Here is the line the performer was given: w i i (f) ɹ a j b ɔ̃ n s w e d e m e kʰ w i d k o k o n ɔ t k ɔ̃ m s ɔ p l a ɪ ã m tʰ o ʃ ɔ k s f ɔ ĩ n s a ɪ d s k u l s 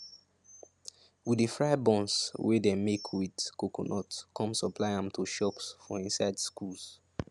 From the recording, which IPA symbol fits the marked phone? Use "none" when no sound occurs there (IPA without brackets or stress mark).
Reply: f